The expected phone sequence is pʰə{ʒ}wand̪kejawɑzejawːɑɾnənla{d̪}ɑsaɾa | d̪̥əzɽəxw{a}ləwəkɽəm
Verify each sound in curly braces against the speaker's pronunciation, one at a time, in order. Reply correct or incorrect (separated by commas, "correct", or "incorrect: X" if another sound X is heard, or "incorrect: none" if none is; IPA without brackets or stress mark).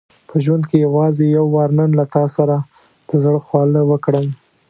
correct, incorrect: t̪, incorrect: ɑ